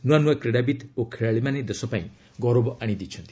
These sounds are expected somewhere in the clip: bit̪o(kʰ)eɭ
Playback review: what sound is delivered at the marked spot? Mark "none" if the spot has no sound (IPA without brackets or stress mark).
kʰ